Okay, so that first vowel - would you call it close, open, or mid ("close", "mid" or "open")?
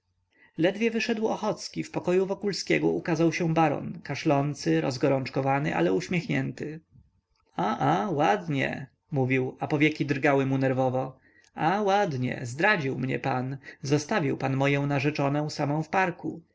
mid